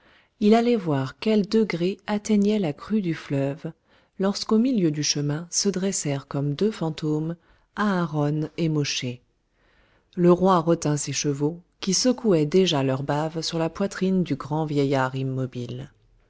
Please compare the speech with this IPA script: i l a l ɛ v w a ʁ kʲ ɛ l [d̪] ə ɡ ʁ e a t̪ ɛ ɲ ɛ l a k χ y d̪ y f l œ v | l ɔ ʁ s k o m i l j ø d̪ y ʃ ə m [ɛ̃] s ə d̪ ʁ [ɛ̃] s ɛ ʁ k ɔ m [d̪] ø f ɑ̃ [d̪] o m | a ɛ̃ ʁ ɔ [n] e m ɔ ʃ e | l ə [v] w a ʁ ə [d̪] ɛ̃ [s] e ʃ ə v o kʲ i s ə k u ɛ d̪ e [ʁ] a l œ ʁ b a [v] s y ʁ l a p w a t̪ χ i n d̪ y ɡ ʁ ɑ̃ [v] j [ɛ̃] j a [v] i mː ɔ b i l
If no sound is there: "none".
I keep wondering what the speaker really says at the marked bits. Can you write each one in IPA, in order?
d̪, ɛ̃, ɛ, d̪, t̪, n, ʁ, t̪, s, ʒ, v, v, ɛ, ʁ

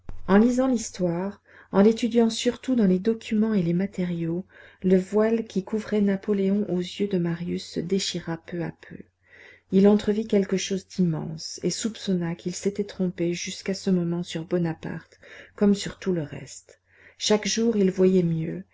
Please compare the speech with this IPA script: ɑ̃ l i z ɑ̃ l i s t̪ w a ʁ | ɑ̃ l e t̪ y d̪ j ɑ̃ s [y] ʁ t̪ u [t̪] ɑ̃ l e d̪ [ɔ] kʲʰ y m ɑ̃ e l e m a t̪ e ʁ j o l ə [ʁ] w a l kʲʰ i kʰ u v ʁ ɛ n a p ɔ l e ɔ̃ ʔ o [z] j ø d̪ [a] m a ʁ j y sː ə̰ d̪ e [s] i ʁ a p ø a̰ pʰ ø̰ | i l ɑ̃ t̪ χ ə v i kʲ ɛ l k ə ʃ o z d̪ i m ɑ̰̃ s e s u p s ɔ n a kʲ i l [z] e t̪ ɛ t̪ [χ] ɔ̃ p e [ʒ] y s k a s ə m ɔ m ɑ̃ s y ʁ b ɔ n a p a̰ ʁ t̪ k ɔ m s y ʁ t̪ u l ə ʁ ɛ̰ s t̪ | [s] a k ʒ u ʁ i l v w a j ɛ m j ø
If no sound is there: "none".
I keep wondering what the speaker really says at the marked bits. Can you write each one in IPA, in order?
y, d̪, ɔ, v, z, ə, ʃ, s, χ, ʒ, ʃ

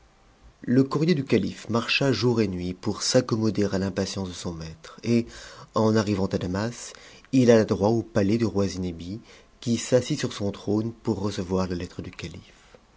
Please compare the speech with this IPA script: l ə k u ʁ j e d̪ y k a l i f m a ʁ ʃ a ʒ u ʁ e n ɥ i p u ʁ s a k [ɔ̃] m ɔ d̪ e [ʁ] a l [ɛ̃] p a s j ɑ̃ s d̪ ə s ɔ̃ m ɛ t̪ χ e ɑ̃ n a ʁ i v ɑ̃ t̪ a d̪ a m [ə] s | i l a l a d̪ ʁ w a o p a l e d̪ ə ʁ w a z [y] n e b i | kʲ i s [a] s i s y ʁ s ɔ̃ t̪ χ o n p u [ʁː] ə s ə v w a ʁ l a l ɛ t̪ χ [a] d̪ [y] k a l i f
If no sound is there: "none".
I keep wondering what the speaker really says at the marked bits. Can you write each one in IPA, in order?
ɔ, ʁ, ɛ̃, a, i, a, ʁː, ə, y

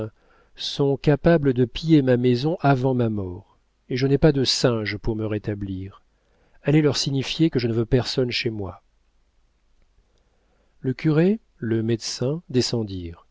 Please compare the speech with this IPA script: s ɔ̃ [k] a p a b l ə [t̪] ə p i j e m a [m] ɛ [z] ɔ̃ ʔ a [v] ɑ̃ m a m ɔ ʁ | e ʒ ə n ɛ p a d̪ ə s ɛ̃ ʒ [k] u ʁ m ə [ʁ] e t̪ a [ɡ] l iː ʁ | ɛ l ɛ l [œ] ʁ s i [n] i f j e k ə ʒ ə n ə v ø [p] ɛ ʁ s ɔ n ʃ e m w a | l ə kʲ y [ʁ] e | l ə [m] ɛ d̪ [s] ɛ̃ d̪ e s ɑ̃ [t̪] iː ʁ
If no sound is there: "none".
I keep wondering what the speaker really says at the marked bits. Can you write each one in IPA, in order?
k, d̪, m, z, v, p, ʁ, b, œ, ɲ, p, ʁ, m, s, d̪

